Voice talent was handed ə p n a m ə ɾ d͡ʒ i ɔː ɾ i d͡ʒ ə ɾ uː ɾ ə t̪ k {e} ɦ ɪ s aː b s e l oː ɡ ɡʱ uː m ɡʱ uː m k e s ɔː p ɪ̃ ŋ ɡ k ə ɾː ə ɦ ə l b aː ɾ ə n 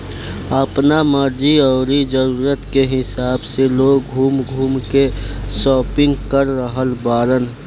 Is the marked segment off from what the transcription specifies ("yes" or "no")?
no